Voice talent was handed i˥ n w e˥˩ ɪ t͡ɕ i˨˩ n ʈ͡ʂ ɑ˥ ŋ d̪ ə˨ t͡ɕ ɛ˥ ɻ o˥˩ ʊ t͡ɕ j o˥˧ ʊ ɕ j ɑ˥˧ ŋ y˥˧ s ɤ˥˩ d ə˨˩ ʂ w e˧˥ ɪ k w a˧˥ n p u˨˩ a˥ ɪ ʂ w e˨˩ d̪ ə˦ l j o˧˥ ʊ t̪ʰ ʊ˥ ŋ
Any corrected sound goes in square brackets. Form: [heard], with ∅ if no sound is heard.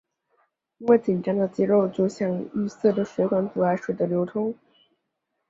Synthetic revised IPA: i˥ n w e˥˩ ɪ t͡ɕ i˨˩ n ʈ͡ʂ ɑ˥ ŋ d̪ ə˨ t͡ɕ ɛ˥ ɻ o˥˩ ʊ t͡ɕ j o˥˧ ʊ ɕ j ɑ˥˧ ŋ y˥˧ s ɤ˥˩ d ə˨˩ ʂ w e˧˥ ɪ k w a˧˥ n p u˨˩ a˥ ɪ ʂ w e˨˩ d̪ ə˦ l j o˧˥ ʊ t̪ʰ ʊ˥ ŋ